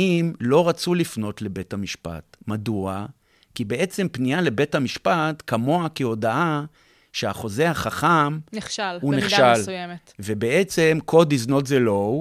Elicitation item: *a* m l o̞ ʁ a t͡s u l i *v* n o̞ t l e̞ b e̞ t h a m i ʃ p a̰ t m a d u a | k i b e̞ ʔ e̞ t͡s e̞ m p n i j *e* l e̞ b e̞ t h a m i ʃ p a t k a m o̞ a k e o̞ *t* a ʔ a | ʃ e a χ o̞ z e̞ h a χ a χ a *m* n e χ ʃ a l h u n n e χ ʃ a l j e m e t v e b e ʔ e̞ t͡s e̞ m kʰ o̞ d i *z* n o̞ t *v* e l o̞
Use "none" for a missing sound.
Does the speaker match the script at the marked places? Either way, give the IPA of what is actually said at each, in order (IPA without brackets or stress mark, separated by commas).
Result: i, f, a, d, m, z, z